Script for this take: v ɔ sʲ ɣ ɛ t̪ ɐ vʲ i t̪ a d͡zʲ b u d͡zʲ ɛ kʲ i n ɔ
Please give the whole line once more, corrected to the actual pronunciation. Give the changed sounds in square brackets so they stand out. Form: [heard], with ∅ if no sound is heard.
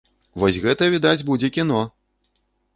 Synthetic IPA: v ɔ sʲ ɣ ɛ t̪ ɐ vʲ i [d̪] a d͡zʲ b u d͡zʲ ɛ kʲ i n ɔ